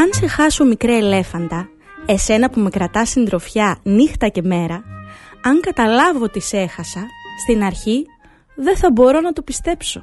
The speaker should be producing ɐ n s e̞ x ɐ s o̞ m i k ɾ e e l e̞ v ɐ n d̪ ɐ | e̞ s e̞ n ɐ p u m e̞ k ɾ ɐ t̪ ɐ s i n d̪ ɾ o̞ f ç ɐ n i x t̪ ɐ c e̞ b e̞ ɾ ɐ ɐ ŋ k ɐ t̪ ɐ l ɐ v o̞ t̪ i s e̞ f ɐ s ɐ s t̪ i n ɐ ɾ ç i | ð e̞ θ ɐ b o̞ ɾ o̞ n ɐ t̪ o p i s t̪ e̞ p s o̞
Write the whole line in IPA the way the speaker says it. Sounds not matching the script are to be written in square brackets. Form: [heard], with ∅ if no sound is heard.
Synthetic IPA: ɐ n s e̞ x ɐ s o̞ m i k ɾ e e l e̞ [f] ɐ n d̪ ɐ | e̞ s e̞ n ɐ p u m e̞ k ɾ ɐ t̪ ɐ s i n d̪ ɾ o̞ f ç ɐ n i x t̪ ɐ c e̞ [m] e̞ ɾ ɐ ɐ ŋ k ɐ t̪ ɐ l ɐ v o̞ t̪ i s e̞ [x] ɐ s ɐ s t̪ i n ɐ ɾ ç i | ð e̞ θ ɐ b o̞ ɾ o̞ n ɐ t̪ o p i s t̪ e̞ p s o̞